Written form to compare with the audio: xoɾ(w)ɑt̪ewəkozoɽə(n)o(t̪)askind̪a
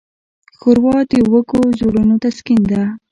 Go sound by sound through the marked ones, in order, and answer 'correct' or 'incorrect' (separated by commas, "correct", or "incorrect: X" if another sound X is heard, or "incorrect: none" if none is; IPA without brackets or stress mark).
correct, correct, correct